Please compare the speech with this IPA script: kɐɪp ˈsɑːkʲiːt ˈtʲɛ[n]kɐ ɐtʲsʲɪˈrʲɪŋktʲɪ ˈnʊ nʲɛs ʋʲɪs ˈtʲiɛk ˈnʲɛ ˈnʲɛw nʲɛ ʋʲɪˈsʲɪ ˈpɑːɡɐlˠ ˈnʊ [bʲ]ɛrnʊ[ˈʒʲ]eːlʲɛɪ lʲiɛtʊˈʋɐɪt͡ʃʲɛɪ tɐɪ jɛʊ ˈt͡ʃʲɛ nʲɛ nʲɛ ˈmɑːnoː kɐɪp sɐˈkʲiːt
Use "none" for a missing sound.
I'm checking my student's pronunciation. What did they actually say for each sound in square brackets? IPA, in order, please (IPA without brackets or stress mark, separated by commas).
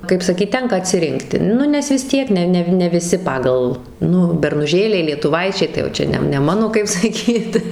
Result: ŋ, bʲ, ʒʲ